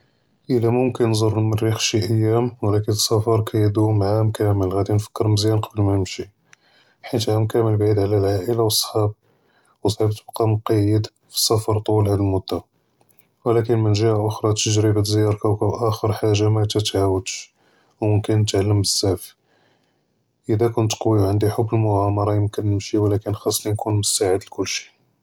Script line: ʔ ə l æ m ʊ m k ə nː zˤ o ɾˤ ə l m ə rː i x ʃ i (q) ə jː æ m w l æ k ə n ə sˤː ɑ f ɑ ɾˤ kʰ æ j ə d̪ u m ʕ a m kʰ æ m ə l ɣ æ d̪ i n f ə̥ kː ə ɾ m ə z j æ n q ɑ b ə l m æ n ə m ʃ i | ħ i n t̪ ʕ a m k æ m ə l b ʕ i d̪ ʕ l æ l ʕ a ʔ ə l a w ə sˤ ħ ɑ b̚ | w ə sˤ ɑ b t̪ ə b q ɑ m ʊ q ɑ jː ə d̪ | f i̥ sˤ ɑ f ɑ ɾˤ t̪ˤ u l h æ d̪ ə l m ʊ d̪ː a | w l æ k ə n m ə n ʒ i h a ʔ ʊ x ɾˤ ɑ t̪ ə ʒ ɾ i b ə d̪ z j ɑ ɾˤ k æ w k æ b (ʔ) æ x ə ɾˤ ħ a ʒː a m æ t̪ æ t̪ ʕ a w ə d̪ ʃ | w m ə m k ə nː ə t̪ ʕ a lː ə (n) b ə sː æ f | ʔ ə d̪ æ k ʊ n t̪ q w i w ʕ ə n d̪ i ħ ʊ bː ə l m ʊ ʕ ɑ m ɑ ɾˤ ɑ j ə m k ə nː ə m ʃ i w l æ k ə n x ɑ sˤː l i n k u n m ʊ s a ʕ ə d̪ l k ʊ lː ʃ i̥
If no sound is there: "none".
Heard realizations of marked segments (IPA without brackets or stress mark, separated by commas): ʔ, ʔ, m